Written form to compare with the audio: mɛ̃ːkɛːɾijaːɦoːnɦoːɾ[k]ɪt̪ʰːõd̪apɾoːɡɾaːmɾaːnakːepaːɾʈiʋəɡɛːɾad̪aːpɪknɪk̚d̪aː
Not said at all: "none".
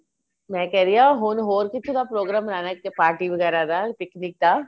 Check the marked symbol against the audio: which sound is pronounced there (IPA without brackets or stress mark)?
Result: k